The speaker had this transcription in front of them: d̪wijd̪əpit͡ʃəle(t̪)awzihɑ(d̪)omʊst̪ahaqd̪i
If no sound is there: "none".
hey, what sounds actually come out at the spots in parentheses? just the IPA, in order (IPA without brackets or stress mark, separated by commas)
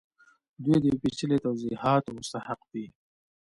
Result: t̪, t̪